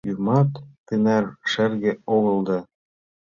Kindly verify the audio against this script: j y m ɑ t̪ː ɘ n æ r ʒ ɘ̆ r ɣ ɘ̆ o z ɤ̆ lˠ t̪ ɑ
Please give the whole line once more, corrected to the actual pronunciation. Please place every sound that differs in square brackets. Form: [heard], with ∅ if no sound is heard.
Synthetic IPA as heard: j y m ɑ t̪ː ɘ n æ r [ʃ] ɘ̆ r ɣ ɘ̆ o [ɣ] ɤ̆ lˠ [d̪] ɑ